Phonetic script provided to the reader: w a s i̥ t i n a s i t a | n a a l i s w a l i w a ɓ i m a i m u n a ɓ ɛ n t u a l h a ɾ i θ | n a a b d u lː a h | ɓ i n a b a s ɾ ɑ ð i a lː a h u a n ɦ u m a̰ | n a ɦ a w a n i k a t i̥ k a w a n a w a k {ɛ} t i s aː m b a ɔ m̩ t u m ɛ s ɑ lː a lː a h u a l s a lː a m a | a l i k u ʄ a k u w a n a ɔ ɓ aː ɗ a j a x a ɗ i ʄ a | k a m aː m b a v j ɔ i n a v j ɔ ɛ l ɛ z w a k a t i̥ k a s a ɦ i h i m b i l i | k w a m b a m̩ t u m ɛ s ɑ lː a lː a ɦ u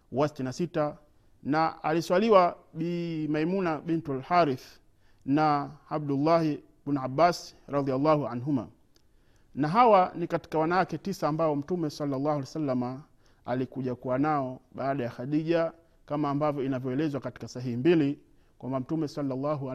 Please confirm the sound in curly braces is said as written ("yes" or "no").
yes